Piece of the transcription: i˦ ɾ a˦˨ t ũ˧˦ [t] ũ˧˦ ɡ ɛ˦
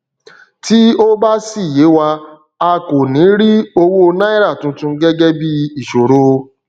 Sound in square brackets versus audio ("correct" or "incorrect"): correct